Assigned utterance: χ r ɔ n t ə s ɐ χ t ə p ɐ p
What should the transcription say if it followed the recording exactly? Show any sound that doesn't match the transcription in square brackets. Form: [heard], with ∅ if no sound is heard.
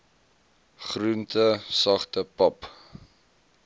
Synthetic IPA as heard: χ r [u] n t ə s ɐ χ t ə p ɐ p